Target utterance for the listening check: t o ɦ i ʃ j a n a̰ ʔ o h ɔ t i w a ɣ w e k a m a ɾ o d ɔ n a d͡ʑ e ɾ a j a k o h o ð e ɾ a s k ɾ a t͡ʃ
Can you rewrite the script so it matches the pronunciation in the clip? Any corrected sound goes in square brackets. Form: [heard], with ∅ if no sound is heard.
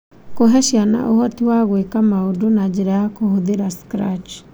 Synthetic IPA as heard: [k] o ɦ [ɛ] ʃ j a n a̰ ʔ o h ɔ t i w a ɣ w e k a m a [∅] o d [o] n a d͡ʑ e ɾ a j a k o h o ð e ɾ a s k ɾ a t͡ʃ

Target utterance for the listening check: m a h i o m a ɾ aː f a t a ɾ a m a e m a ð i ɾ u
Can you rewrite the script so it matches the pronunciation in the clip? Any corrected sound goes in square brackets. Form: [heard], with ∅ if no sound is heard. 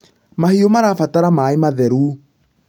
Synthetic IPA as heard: m a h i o m a ɾ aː f a t a ɾ a m a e m a ð [ɛ] ɾ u

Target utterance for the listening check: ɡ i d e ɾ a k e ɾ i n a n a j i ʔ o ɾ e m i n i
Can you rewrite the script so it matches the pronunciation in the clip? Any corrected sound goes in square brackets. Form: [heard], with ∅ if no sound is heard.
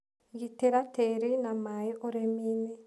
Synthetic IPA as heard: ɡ i [t] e ɾ a [t] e ɾ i n a [m] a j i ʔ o ɾ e m i n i

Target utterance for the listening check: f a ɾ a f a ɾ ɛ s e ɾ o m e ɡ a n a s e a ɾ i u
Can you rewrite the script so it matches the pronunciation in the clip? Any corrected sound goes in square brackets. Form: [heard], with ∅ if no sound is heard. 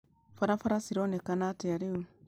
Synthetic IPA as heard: f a ɾ a f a ɾ [a] s [i] ɾ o [n] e [k] a n a [t] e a ɾ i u

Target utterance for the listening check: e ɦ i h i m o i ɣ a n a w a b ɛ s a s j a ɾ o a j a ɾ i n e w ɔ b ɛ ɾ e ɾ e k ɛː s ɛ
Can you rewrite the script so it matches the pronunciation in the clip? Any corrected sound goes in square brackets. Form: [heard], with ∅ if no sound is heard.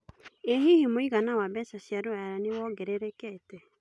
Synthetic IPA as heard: e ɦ i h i m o i ɣ a n a w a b ɛ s a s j a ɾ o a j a ɾ [a] n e w ɔ [ɡ] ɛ ɾ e ɾ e k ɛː [t] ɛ

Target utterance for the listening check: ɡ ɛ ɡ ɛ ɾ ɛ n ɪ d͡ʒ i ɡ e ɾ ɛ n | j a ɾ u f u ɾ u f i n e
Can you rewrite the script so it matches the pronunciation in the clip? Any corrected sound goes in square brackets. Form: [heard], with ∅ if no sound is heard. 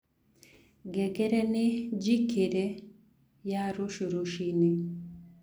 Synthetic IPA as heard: ɡ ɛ ɡ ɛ ɾ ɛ n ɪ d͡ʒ i [k] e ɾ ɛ [∅] | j a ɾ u [ʃ] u ɾ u [ʃ] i n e

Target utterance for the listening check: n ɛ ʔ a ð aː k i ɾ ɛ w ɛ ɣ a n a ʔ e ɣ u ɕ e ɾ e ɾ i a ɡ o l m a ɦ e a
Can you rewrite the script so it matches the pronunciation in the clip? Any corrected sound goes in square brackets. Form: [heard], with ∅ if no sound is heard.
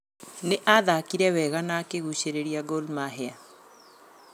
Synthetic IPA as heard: n [e] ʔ a ð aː k i ɾ ɛ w ɛ ɣ a n a [k] e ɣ u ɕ e ɾ e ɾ i a ɡ o l m a ɦ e a

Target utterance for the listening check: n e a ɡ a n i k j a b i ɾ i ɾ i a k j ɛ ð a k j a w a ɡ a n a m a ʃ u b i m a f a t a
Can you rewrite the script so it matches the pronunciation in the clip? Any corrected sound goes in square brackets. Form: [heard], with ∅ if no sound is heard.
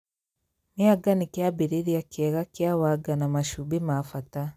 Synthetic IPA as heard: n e a ɡ a n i k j a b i ɾ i ɾ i a k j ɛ [ɣ] a k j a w a ɡ a n a m a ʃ u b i m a f a t a

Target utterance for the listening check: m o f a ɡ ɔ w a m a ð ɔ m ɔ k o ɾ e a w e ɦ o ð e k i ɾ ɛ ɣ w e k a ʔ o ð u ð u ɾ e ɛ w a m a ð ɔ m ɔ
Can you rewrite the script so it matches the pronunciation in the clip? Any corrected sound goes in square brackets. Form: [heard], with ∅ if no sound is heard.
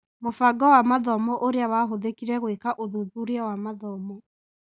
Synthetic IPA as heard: m o f a ɡ ɔ w a m a ð ɔ m ɔ [ʔ] o ɾ e a w [a] ɦ o ð e k i ɾ ɛ ɣ w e k a ʔ o ð u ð u ɾ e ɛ w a m a ð ɔ m ɔ

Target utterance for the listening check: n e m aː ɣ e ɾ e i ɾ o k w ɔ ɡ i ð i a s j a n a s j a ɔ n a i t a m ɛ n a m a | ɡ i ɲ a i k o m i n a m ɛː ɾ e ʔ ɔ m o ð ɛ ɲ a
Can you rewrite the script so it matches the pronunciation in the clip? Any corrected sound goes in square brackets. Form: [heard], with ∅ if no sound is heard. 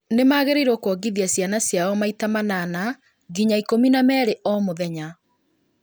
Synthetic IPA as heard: n e m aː ɣ e ɾ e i ɾ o k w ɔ ɡ i ð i a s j a n a s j a ɔ [m] a i t a m [a] n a [n] a | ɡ i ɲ a i k o m i n a m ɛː ɾ e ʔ ɔ m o ð ɛ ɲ a

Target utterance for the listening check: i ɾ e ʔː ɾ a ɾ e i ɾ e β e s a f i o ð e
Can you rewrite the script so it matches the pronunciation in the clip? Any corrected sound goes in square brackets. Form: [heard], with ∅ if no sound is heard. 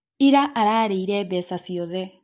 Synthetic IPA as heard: i ɾ [a] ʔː ɾ a ɾ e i ɾ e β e s a [s] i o ð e

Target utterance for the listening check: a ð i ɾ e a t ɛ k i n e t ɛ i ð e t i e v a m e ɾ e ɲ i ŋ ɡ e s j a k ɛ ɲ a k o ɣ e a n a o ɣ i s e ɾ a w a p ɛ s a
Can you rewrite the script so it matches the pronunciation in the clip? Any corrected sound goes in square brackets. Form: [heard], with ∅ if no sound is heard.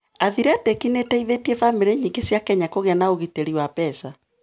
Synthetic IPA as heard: a ð i ɾ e a t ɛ k i n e t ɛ i ð e t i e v a m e ɾ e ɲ i ŋ ɡ e s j a k ɛ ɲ a k o ɣ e a n a o ɣ i [t] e ɾ [i] w a p ɛ s a

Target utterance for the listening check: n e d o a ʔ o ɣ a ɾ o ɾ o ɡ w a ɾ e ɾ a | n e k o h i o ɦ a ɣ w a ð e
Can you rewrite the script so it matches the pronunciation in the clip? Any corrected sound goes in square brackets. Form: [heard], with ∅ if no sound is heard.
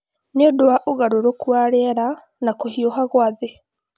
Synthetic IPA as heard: n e d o a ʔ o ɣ a ɾ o ɾ o [k] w a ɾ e ɾ a | n [a] k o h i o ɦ a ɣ w a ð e

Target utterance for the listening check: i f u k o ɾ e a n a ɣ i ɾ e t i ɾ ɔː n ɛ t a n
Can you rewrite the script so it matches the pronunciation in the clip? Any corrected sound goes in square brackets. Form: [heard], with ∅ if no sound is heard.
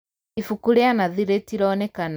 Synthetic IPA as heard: i f u k [u] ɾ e a n a [ð] i ɾ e t i ɾ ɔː n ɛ [k] a n

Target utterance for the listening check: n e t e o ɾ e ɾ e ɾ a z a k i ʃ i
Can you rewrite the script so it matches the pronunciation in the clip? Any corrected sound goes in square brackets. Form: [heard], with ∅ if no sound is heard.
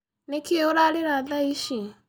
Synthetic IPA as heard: n e [k] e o ɾ [a] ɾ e ɾ a [ð] a [∅] i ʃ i

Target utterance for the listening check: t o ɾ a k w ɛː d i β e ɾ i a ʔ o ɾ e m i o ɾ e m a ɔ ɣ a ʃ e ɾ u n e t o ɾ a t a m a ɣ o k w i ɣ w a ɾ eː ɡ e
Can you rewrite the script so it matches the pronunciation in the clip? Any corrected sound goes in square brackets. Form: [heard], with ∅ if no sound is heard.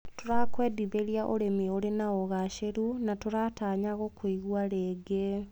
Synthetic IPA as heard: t o ɾ a k w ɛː d i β e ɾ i a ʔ o ɾ e m i o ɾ e [n] a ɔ ɣ a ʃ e ɾ u n [a] t o ɾ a t a [ɲ] a ɣ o k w i ɣ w a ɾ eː ɡ e

